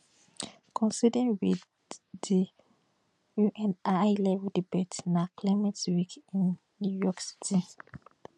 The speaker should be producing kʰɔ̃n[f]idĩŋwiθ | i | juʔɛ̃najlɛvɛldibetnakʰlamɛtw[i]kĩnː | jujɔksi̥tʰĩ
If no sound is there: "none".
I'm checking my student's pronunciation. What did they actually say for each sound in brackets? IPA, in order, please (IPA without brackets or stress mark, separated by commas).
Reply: s, i